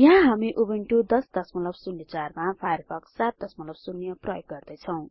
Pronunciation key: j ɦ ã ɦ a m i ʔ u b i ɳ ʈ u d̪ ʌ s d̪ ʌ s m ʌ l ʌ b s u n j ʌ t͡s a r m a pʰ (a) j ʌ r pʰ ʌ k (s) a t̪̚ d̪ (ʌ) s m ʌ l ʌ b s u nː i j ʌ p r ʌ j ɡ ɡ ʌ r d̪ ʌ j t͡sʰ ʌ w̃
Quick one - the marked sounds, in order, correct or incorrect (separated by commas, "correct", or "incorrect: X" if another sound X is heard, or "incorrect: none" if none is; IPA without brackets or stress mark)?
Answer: correct, correct, correct